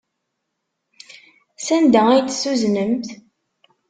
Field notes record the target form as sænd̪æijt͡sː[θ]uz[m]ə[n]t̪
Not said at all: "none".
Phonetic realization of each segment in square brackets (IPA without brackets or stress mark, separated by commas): s, n, m